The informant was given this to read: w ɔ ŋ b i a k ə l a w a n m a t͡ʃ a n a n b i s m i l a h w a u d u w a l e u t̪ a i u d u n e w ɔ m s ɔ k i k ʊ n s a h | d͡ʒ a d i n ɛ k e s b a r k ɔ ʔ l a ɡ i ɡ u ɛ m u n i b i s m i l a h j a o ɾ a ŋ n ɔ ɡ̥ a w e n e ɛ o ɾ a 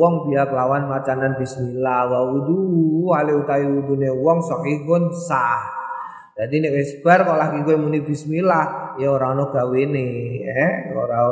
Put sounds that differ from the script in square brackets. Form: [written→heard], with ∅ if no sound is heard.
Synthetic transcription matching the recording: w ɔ ŋ b i a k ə l a w a n m a t͡ʃ a n a n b i s m i l a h w a u d u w a l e u t̪ a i u d u n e w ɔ [m→ŋ] s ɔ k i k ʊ n s a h | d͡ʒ a d i n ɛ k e s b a r k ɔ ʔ l a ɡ i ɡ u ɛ m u n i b i s m i l a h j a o ɾ a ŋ n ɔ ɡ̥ a w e n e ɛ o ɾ a